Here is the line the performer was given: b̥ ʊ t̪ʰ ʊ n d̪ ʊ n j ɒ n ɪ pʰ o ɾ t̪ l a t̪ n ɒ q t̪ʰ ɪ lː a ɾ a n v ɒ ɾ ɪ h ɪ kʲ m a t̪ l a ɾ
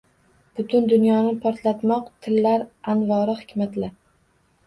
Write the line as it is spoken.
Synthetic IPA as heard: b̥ ʊ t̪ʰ ʊ n d̪ ʊ n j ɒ n ɪ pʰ ɒ ɾ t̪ l a t̪ m ɒ q t̪ʰ ɪ lː a ɾ a n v ɒ ɾ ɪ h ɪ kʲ m a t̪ l a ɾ